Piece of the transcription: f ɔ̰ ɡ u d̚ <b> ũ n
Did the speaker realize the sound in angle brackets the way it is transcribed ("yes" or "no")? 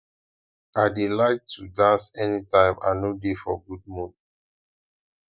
no